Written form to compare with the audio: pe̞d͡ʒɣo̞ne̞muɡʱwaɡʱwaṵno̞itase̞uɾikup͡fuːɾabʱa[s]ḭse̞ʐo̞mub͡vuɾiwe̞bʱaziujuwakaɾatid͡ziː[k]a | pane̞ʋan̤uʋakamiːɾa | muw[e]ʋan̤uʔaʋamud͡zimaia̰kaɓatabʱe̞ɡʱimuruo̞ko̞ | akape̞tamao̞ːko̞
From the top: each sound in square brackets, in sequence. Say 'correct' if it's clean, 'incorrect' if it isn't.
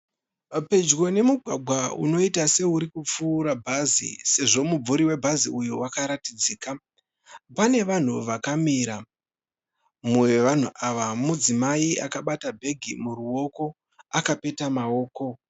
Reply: incorrect, correct, correct

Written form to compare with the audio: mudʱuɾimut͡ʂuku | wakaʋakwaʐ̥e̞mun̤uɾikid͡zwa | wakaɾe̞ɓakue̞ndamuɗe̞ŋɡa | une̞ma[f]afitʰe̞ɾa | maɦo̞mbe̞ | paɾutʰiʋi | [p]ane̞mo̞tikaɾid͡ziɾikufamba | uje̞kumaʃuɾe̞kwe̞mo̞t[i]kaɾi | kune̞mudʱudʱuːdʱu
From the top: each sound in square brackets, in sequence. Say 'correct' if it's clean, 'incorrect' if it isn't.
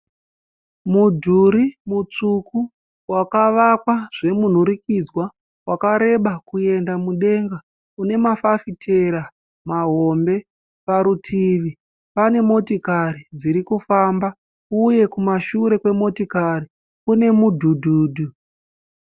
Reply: correct, correct, correct

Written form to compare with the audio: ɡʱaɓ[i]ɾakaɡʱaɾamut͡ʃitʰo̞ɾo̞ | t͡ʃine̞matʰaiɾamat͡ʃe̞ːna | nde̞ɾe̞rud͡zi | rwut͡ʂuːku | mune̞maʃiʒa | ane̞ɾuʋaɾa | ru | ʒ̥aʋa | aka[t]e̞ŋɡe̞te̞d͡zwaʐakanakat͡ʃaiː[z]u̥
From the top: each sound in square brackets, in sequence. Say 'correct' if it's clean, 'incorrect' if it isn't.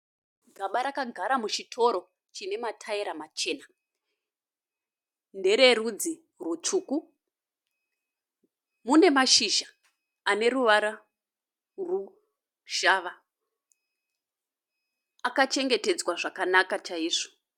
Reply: incorrect, incorrect, incorrect

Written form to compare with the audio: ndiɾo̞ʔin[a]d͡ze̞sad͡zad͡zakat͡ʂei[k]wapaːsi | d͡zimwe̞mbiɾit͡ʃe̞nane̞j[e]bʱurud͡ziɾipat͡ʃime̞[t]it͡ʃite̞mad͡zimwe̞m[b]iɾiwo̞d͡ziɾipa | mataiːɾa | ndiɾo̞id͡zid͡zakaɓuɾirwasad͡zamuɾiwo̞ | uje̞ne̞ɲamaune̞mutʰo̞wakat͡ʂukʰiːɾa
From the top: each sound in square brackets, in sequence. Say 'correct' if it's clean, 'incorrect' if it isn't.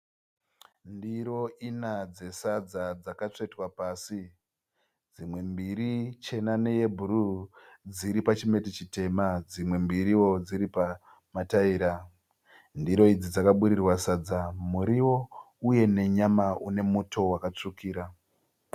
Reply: correct, incorrect, correct, correct, correct

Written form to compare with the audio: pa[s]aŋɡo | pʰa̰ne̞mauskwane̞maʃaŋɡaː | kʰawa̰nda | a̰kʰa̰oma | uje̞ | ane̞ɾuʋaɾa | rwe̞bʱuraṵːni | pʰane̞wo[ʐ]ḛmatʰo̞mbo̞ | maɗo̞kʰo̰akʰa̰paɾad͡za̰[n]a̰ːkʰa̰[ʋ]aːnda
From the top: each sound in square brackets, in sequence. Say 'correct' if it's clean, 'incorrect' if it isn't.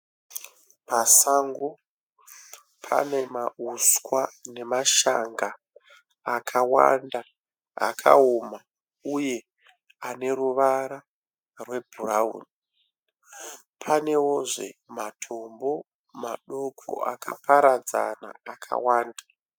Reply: correct, correct, correct, incorrect

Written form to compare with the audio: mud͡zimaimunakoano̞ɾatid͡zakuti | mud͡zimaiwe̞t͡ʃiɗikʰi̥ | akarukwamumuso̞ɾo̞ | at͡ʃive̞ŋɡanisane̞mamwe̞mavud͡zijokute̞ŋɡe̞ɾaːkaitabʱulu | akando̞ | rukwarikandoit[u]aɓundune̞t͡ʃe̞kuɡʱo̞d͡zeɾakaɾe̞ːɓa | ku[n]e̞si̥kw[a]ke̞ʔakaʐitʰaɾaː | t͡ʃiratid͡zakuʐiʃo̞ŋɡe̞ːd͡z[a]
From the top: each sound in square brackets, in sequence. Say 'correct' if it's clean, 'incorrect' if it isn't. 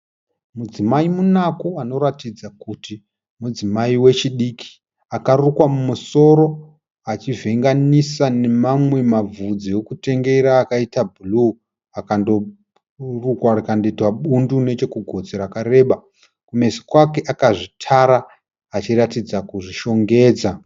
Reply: incorrect, incorrect, correct, correct

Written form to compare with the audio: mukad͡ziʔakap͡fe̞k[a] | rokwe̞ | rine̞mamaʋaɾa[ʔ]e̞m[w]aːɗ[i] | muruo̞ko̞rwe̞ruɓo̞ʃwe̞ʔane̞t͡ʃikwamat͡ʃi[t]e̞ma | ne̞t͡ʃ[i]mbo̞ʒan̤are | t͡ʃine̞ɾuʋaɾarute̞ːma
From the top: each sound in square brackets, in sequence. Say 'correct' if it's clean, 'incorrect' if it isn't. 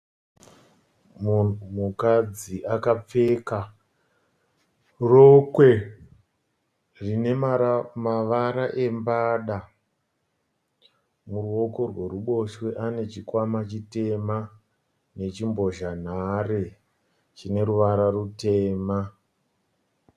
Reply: correct, correct, incorrect, incorrect, correct, correct

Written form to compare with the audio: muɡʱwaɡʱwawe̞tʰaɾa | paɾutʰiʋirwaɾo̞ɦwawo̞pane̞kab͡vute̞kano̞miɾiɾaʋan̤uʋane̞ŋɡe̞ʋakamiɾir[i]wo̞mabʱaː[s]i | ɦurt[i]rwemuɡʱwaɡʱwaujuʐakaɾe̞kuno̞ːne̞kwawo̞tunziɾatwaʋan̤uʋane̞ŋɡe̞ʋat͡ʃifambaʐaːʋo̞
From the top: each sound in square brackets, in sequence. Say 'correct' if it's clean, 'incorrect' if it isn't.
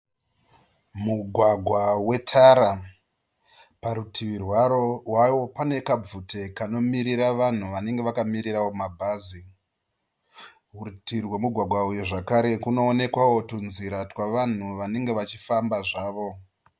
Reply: incorrect, incorrect, correct

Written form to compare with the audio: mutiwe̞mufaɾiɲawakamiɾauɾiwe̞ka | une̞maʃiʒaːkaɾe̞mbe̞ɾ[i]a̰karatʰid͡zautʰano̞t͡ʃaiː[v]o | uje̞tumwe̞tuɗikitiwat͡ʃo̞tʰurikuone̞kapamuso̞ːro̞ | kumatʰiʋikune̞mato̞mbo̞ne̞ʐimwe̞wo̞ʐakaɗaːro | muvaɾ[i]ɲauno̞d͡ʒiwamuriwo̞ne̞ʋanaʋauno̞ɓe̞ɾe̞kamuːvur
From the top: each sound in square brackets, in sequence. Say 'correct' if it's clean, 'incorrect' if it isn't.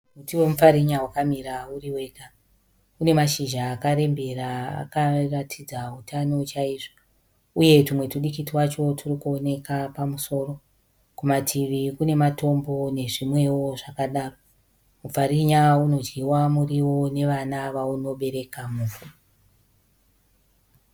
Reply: incorrect, incorrect, correct

